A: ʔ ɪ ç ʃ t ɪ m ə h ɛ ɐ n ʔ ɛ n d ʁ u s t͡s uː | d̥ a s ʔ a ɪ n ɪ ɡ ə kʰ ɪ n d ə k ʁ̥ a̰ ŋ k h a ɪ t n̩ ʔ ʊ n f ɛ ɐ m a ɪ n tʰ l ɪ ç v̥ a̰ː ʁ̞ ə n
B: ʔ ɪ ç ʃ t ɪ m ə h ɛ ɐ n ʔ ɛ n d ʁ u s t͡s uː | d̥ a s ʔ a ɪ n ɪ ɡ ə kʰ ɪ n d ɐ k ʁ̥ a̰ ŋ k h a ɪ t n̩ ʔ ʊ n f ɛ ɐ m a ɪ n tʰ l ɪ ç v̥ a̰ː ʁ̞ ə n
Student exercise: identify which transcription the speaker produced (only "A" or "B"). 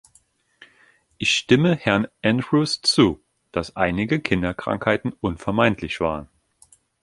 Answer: B